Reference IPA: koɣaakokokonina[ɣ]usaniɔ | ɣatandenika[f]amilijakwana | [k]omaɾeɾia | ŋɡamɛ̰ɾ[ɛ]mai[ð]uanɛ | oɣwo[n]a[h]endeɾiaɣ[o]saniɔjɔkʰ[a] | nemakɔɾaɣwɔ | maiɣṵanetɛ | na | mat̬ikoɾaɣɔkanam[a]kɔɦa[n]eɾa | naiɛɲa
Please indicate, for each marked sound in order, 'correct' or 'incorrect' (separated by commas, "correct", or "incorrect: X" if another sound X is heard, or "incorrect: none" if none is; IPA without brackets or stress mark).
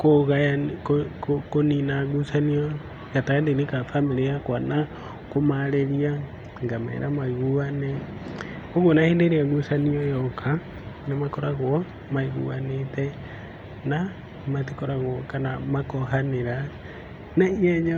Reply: correct, correct, correct, incorrect: a, incorrect: ɣ, correct, correct, incorrect: u, correct, correct, correct